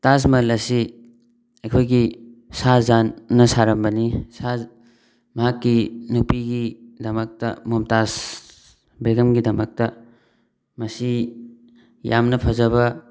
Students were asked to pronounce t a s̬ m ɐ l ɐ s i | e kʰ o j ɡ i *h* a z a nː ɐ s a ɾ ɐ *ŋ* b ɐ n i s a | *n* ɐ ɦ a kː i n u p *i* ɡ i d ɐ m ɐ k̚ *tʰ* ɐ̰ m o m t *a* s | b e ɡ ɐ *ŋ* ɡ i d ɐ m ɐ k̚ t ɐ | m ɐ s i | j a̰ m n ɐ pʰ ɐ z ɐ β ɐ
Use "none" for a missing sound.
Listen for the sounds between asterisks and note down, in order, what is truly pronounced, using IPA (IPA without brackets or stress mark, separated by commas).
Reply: s, m, m, i, t, a, m